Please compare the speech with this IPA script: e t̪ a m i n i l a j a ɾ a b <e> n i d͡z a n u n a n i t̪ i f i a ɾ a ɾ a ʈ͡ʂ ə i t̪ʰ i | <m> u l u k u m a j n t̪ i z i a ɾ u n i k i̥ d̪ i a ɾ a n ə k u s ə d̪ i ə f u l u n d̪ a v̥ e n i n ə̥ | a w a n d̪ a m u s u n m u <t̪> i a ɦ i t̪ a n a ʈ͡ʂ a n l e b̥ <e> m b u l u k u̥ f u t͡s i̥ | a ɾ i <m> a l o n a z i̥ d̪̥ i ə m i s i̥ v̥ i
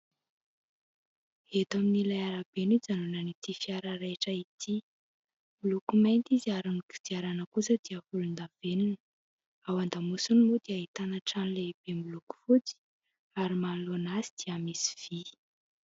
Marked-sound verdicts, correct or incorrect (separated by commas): correct, correct, incorrect, correct, correct